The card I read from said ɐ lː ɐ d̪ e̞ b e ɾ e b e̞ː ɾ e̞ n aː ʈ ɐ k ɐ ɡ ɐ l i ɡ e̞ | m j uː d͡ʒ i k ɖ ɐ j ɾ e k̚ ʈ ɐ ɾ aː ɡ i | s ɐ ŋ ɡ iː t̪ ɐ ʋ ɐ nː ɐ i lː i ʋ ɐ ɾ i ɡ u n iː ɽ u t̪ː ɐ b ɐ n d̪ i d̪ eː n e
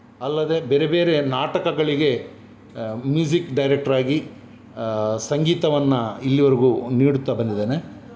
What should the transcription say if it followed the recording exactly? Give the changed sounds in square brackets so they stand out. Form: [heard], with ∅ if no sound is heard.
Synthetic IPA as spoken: ɐ lː ɐ d̪ e̞ b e ɾ e b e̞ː ɾ e̞ n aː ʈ ɐ k ɐ ɡ ɐ [ɭ] i ɡ e̞ | m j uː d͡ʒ i k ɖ ɐ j ɾ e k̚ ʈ ɐ ɾ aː ɡ i | s ɐ ŋ ɡ iː t̪ ɐ ʋ ɐ nː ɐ i lː i ʋ ɐ ɾ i ɡ u n iː ɽ u t̪ː ɐ b ɐ n d̪ i d̪ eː n e